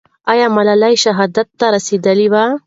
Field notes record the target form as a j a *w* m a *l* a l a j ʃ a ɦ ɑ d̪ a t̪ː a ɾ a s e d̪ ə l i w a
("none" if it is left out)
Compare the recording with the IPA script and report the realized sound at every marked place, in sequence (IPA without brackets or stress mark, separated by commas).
none, l